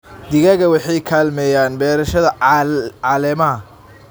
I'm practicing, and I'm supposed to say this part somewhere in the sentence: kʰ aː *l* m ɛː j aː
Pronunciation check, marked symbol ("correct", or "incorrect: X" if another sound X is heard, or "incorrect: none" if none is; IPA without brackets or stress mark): correct